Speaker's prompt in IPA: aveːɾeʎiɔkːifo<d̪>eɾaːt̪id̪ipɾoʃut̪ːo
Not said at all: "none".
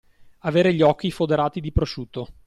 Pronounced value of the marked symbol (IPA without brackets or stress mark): d̪